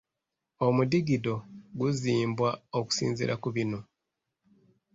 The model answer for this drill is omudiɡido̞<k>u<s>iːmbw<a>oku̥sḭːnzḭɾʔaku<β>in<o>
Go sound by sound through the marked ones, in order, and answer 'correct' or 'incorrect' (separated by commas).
incorrect, incorrect, correct, correct, correct